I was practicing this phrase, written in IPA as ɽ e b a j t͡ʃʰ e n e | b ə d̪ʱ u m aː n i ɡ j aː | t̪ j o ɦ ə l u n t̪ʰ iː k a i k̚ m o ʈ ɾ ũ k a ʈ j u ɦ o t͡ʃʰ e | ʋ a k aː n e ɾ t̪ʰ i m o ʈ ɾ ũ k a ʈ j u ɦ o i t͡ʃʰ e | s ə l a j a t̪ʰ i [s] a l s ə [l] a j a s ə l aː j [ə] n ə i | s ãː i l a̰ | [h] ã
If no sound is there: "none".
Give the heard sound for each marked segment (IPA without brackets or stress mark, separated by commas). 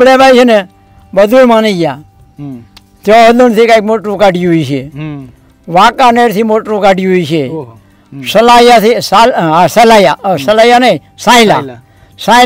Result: s, l, a, s